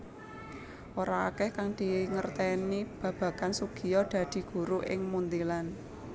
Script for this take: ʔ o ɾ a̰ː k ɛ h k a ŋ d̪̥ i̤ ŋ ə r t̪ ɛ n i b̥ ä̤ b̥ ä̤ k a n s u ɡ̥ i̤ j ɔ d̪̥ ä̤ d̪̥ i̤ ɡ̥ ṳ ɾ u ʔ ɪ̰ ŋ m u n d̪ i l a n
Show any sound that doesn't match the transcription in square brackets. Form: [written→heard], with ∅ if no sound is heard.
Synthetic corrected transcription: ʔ o ɾ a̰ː k ɛ h k a ŋ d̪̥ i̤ ŋ ə r t̪ ɛ n i b̥ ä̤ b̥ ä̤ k a n s u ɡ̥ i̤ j ɔ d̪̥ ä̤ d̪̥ i̤ ɡ̥ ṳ ɾ u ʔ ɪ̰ ŋ m u n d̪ i l a n